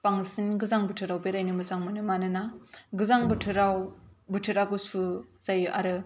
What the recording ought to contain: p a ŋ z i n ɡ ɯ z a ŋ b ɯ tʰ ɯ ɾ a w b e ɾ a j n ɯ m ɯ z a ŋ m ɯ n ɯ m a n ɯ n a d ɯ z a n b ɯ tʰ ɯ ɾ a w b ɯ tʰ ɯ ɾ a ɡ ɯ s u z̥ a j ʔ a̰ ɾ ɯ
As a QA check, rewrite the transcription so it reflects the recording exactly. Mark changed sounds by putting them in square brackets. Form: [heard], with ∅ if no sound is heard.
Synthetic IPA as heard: p a ŋ [s] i n ɡ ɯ z a ŋ b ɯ tʰ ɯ ɾ a w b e ɾ a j n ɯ m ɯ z a ŋ m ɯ n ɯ m a n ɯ n a [ɡ] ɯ z a [ŋ] b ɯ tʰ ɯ ɾ a w b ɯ tʰ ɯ ɾ a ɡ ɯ s u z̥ a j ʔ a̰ ɾ ɯ